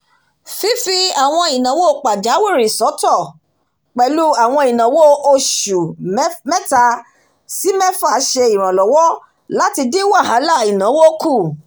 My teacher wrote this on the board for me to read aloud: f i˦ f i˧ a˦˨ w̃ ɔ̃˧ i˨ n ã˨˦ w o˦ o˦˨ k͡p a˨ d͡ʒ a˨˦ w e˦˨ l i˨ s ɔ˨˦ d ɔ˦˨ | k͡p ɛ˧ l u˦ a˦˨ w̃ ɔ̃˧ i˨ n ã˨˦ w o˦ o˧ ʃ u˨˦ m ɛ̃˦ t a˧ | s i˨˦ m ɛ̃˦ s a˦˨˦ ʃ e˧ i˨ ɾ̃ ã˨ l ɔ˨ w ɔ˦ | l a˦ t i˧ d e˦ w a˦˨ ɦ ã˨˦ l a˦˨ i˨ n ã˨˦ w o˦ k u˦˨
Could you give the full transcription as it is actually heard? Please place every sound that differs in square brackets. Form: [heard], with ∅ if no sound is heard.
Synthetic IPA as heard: f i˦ f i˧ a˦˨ w̃ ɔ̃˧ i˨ n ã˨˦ w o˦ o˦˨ k͡p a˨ d͡ʒ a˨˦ w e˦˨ [ɾ] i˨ s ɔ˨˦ [t] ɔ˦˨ | k͡p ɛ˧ l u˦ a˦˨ w̃ ɔ̃˧ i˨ n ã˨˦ w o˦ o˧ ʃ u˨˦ m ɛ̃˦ t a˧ | s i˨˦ m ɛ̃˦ [f] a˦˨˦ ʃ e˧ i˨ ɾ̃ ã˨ l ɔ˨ w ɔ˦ | l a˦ t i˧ d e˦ w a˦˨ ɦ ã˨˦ l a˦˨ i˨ n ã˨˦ w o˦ k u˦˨